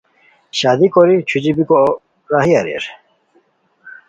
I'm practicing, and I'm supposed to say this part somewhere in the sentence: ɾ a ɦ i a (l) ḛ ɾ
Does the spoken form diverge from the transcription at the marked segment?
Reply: yes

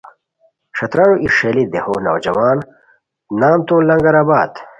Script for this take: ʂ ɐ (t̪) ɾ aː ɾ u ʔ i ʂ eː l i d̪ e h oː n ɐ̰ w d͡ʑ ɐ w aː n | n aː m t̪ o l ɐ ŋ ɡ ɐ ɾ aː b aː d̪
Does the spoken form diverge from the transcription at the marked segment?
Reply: no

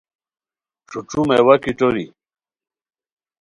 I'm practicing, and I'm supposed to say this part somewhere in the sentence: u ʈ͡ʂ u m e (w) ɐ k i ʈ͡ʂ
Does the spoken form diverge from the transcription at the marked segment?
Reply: no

